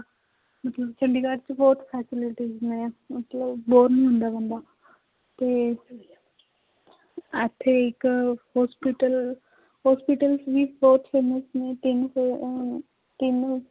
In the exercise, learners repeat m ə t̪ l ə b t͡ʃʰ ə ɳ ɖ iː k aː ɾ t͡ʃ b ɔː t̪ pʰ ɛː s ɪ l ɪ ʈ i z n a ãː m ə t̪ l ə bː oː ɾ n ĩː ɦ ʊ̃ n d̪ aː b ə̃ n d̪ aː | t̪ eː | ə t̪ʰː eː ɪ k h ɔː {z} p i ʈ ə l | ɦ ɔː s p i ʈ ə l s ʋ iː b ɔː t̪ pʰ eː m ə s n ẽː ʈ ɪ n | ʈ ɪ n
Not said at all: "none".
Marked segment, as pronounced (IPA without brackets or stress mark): s